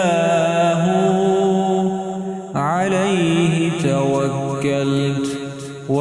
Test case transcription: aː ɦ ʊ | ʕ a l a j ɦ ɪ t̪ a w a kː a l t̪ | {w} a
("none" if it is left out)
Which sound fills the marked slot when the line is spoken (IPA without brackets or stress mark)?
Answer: w